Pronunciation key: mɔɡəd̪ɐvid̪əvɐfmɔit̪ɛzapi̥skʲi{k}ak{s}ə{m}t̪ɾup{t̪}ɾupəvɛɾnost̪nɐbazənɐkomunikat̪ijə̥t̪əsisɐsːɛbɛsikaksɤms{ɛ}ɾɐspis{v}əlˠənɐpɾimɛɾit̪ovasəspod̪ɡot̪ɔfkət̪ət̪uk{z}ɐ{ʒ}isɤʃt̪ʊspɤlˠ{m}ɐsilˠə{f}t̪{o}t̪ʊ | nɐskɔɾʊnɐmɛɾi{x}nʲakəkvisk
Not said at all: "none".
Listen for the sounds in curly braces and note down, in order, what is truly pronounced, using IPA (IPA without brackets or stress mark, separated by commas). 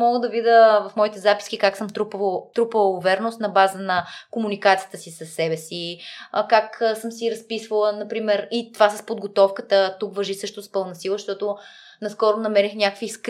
k, s, m, t̪, i, v, v, ʒ, n, ʃ, ɔ, x